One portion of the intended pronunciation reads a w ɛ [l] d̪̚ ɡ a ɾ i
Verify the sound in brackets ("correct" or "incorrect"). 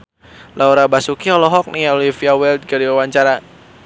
correct